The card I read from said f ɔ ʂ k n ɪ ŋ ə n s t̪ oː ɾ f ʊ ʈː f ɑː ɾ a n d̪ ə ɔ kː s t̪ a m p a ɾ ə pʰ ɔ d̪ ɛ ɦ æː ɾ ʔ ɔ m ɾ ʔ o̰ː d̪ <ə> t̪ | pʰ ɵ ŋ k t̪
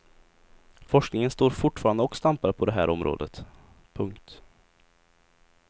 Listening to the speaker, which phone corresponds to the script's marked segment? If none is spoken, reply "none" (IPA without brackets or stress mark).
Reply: ə